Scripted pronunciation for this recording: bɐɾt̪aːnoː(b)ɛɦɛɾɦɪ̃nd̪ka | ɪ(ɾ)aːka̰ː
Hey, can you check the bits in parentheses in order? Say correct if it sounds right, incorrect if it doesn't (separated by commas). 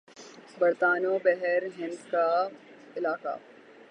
correct, incorrect